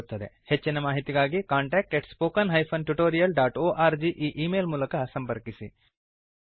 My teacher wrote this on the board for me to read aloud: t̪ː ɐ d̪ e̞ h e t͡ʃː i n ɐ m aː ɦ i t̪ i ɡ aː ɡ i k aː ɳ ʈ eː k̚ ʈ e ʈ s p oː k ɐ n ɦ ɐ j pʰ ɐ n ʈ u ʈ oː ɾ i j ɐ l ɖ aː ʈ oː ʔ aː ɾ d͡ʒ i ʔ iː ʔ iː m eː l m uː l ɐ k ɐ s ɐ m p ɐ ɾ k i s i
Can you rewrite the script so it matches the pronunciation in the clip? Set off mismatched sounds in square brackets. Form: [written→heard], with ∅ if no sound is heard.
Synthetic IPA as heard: t̪ː ɐ d̪ e̞ h e t͡ʃː i n ɐ m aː ɦ i t̪ i ɡ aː ɡ i k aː ɳ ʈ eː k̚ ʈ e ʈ s p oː k ɐ n ɦ ɐ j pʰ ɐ n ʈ u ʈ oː ɾ i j ɐ l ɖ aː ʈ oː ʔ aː ɾ d͡ʒ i ʔ iː ʔ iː m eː l m uː l ɐ k ɐ s ɐ m p ɐ ɾ k i s i